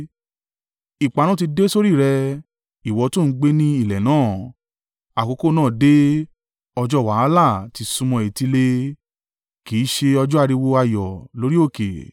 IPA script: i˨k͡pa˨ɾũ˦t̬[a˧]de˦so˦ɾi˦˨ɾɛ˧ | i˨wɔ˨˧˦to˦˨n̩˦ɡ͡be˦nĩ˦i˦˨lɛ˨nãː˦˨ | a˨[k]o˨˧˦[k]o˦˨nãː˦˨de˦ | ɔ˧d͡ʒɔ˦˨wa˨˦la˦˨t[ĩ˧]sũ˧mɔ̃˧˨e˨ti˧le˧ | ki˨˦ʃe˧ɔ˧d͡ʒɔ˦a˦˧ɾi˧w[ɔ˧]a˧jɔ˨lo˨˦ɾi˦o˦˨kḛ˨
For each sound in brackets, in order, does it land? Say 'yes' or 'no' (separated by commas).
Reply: no, yes, yes, no, no